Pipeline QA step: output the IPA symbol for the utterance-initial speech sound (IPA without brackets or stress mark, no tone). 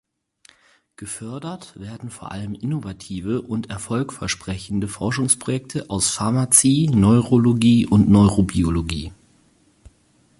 ɡ̥